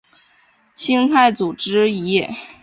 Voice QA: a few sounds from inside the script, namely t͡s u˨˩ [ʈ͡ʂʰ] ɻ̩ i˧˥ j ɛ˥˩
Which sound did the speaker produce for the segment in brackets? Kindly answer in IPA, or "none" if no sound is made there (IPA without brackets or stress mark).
ʈ͡ʂ